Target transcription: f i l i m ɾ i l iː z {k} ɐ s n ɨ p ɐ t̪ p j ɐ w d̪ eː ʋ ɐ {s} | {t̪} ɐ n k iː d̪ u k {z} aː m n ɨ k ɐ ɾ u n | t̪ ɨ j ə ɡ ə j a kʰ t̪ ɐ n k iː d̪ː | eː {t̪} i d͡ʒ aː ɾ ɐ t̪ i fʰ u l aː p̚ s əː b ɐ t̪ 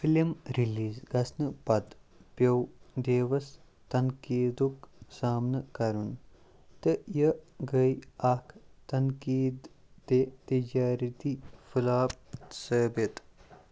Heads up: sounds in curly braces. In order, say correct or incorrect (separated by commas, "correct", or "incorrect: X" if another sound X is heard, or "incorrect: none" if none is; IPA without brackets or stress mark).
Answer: incorrect: ɡ, correct, correct, incorrect: s, correct